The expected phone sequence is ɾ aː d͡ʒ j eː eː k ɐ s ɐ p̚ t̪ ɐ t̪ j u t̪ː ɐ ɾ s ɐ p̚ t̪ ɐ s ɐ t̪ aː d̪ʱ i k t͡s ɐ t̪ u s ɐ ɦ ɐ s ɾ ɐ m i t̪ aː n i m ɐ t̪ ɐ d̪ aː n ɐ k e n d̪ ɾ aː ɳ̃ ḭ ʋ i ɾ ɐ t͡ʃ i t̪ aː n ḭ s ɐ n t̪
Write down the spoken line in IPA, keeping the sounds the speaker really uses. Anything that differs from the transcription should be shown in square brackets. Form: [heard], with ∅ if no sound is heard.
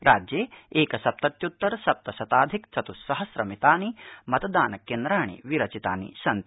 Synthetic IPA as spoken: ɾ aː d͡ʒ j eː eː k ɐ s ɐ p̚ t̪ ɐ t̪ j u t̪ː ɐ ɾ s ɐ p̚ t̪ ɐ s ɐ t̪ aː d̪ʱ i k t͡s ɐ t̪ u s ɐ ɦ ɐ s ɾ ɐ m i t̪ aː n i m ɐ t̪ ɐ d̪ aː n ɐ k e n d̪ ɾ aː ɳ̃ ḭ ʋ i ɾ ɐ t͡ʃ i t̪ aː n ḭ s ɐ n t̪